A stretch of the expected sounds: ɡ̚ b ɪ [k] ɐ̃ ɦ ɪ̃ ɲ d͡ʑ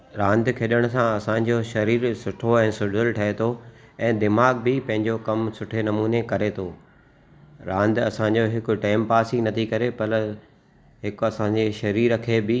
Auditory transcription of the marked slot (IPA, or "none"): p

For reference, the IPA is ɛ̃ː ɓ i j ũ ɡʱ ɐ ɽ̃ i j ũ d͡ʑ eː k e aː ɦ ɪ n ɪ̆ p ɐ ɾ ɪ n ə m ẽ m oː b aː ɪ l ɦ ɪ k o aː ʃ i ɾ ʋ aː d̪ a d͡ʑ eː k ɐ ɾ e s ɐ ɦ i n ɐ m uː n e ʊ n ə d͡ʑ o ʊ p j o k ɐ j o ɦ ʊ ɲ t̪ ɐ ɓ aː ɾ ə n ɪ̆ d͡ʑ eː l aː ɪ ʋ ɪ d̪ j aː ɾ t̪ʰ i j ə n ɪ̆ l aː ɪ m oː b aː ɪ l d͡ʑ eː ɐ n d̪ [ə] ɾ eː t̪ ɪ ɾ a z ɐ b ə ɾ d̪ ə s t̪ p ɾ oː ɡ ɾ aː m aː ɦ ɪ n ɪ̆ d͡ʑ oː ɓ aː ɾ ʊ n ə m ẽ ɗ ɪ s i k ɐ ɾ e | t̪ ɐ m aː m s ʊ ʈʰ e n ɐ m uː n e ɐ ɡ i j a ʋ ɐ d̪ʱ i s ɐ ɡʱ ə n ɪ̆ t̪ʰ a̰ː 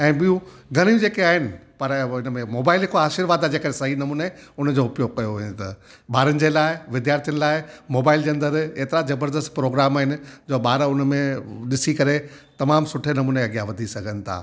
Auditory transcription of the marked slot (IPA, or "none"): ə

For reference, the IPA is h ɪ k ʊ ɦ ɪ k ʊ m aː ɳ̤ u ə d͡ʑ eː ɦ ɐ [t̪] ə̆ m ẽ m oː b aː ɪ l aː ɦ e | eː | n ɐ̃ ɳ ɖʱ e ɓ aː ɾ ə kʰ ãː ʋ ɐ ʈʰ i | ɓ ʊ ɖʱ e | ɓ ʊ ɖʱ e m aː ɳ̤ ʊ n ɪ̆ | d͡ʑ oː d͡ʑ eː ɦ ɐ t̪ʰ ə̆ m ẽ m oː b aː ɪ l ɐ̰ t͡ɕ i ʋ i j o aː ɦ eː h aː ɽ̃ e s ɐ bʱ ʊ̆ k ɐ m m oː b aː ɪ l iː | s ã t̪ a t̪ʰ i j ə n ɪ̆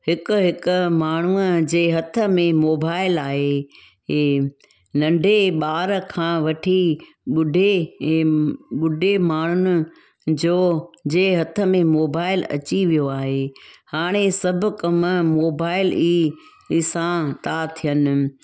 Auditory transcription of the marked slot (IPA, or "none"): t̪ʰ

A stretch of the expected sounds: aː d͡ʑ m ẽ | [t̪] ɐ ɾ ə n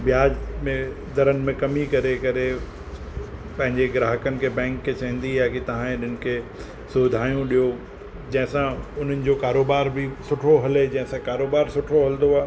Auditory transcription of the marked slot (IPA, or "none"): d̪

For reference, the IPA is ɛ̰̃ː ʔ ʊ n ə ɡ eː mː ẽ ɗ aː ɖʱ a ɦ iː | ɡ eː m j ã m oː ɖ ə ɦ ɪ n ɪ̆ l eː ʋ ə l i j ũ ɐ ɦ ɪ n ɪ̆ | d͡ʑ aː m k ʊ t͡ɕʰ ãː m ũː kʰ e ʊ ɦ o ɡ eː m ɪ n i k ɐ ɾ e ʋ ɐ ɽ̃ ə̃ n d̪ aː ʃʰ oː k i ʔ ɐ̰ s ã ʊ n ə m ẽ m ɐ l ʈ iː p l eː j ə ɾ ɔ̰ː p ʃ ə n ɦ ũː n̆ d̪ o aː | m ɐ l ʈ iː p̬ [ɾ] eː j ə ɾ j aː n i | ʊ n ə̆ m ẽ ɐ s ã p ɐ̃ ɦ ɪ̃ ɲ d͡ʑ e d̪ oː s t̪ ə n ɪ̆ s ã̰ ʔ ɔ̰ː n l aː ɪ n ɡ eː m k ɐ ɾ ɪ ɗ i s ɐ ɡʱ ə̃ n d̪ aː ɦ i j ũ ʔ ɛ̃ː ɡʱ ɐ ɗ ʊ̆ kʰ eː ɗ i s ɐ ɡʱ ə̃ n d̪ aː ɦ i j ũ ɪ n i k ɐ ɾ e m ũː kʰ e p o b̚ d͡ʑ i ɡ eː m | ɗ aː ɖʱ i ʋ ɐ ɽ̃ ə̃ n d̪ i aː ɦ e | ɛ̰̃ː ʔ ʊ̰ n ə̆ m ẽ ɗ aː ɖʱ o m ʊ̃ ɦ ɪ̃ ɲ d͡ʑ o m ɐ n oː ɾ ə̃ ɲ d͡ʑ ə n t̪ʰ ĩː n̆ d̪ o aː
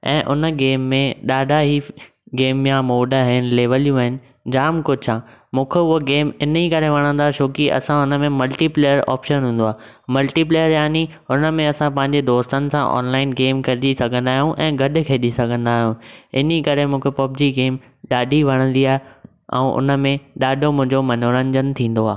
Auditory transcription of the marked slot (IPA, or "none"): l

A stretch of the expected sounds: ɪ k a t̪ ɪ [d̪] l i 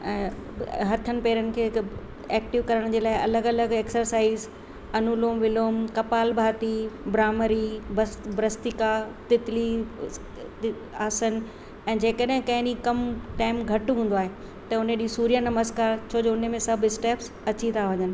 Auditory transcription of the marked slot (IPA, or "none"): t̪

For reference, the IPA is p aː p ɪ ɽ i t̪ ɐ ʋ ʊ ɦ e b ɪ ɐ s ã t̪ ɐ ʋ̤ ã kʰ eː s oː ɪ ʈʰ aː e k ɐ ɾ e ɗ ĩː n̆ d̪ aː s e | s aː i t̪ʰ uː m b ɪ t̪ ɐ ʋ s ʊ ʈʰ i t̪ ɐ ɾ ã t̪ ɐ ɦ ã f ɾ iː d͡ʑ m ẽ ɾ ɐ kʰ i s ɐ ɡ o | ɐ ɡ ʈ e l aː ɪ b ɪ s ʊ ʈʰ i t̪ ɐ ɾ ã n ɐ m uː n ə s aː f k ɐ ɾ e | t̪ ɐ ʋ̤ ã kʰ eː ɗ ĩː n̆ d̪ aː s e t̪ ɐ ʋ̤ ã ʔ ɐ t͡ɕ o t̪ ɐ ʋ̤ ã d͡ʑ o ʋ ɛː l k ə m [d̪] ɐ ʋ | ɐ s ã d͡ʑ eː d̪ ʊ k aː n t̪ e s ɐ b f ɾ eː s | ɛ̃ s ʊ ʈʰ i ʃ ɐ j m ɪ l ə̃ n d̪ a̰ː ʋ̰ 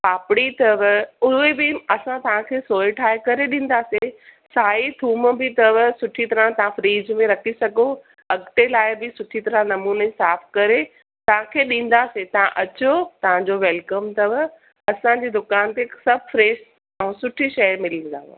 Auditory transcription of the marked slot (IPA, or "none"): t̪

